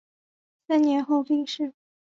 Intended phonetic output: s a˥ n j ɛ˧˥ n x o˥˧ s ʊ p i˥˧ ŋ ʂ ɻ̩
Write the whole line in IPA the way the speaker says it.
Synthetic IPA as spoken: s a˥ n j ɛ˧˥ n x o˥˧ ʊ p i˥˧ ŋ ʂ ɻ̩